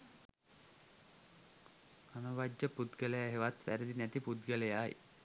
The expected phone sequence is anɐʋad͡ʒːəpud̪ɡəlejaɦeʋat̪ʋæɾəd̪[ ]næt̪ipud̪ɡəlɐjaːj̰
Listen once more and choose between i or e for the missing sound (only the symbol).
i